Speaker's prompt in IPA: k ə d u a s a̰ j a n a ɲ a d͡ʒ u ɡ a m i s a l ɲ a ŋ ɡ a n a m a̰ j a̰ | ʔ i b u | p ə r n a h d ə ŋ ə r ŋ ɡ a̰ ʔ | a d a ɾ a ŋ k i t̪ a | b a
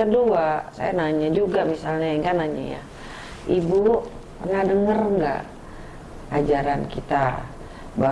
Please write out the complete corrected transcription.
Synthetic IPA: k ə d u a s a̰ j a n a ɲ a d͡ʒ u ɡ a m i s a l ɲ a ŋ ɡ a n a ɲ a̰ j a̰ | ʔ i b u | p ə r n a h d ə ŋ ə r ŋ ɡ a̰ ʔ | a d͡ʒ a ɾ a n k i t̪ a | b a